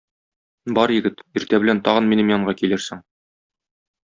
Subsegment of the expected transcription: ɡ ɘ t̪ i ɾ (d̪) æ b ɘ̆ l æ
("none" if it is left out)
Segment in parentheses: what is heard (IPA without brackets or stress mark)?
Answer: t̪